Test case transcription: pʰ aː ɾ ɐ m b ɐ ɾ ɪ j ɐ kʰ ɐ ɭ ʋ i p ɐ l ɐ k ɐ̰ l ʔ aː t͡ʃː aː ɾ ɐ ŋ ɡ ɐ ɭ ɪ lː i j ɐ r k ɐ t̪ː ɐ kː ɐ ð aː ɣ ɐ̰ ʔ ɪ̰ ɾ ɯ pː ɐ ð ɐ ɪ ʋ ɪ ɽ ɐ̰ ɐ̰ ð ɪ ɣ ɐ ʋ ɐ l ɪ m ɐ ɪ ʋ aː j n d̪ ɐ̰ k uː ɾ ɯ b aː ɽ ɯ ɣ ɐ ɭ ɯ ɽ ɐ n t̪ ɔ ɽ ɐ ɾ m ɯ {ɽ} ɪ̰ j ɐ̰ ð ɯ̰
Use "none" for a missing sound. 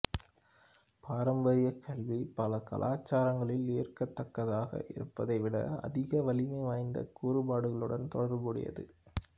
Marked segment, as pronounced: ɽ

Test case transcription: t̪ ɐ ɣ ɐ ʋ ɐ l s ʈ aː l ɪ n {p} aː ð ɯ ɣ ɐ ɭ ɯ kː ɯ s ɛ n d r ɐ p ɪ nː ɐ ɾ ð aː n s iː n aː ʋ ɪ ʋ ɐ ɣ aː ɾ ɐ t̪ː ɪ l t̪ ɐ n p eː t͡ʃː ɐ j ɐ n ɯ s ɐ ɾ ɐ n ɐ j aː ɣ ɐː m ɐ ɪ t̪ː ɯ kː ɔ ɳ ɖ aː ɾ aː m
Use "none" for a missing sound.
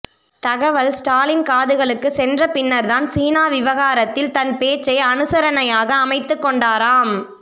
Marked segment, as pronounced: k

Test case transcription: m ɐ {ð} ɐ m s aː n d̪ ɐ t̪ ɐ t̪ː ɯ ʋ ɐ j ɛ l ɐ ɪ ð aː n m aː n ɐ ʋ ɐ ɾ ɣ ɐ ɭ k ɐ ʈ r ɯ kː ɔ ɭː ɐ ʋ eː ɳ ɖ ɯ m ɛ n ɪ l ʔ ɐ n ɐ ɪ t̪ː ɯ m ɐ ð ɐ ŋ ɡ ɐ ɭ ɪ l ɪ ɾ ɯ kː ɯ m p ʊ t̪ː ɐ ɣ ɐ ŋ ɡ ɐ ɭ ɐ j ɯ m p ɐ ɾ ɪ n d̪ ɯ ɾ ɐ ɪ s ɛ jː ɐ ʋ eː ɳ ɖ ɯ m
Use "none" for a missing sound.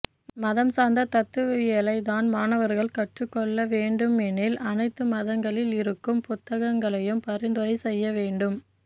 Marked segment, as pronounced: ð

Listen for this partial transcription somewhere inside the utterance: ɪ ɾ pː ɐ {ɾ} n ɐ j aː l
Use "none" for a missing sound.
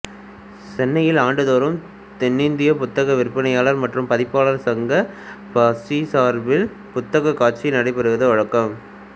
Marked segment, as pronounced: none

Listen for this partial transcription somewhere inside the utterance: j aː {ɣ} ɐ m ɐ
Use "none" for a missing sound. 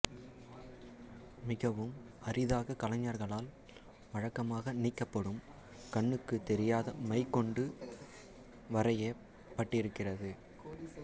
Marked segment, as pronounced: ð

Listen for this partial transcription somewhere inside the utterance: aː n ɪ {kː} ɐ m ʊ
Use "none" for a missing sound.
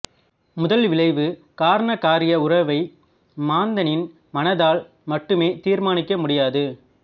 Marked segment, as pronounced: kː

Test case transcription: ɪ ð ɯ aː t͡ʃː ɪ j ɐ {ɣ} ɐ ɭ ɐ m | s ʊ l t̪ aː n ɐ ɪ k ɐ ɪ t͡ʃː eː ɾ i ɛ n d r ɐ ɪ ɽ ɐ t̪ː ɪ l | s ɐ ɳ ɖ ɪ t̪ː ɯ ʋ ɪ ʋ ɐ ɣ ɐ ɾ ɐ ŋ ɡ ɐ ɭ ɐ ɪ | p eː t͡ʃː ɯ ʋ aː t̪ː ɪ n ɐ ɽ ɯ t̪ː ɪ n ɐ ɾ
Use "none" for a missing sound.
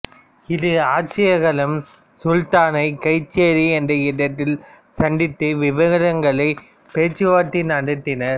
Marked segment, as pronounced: ɣ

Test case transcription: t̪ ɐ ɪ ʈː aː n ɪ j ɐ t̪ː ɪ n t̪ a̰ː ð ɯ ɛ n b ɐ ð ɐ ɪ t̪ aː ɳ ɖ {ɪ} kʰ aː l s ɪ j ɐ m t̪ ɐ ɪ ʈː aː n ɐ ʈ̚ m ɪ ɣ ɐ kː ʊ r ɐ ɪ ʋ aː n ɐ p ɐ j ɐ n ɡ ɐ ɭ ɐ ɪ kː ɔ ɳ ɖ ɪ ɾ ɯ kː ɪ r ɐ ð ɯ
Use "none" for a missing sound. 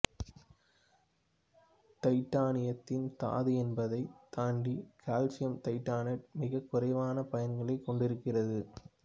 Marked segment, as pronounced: i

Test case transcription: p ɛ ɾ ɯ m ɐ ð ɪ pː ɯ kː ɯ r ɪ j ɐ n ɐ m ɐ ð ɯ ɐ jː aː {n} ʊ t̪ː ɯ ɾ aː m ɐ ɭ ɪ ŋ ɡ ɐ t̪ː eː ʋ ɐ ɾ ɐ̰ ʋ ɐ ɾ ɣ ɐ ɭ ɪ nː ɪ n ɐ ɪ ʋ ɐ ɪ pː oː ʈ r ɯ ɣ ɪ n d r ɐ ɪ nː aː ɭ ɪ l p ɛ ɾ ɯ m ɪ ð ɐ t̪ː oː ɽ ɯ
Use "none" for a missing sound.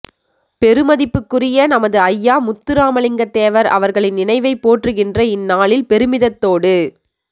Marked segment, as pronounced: m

